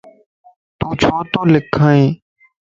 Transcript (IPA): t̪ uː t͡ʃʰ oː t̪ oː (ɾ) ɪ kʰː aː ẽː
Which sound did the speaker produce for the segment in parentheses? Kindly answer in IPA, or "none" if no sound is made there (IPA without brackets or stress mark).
l